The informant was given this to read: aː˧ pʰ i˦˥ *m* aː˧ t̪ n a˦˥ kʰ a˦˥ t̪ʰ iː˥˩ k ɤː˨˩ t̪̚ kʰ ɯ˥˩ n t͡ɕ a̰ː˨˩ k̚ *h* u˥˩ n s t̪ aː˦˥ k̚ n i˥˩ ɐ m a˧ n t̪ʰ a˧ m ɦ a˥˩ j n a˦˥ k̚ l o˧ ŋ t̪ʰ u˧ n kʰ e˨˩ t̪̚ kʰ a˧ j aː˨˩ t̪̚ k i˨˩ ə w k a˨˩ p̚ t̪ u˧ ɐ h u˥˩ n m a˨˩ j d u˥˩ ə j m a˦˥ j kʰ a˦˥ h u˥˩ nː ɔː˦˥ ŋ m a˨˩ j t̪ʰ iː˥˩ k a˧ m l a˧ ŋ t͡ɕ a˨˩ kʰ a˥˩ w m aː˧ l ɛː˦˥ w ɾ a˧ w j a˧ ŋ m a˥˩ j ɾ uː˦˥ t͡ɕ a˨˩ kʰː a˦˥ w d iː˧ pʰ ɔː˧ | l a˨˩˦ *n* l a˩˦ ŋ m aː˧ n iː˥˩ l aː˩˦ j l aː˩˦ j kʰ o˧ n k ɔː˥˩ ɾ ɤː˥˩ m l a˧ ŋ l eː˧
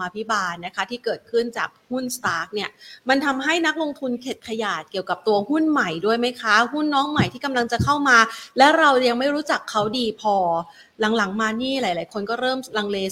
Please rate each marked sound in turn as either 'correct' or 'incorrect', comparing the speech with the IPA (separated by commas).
incorrect, correct, incorrect